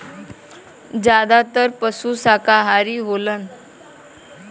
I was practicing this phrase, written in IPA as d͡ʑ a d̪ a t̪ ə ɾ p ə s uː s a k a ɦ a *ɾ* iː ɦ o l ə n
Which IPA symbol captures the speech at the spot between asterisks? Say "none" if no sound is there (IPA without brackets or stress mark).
ɾ